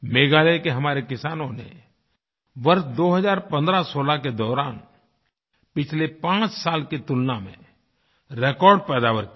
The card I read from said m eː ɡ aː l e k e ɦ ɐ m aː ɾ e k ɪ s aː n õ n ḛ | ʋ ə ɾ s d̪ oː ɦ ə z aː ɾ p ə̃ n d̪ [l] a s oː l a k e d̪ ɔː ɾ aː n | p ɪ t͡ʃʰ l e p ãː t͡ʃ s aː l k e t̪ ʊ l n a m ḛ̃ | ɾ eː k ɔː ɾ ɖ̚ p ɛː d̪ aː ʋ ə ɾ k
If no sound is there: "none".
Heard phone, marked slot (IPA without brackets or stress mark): ɾ